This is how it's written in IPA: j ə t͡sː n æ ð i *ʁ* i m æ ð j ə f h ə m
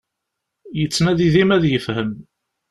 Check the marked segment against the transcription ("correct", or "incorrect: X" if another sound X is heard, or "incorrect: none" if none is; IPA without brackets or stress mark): incorrect: ð